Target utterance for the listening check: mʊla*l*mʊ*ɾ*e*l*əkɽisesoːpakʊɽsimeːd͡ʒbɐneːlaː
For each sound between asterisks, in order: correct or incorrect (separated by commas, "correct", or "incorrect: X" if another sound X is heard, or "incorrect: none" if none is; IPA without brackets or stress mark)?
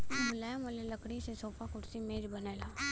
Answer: incorrect: none, incorrect: l, correct